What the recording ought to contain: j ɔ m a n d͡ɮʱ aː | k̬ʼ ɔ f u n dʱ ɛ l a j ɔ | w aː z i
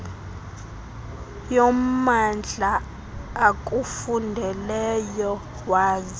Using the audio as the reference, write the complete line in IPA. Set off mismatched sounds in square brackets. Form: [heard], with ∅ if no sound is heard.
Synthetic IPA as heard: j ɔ m a n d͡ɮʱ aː | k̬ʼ [u] f u n dʱ ɛ l [ɛ] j ɔ | w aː z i